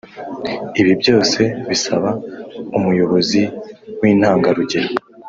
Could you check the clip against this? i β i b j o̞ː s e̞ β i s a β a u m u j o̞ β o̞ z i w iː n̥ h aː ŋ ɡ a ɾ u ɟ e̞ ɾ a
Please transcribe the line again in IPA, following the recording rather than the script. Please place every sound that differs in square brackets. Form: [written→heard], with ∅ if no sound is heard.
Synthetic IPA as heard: i β i b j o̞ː s e̞ β i s a β a u m u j o̞ β o̞ z i w iː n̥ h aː ŋ ɡ a ɾ u ɟ e̞ ɾ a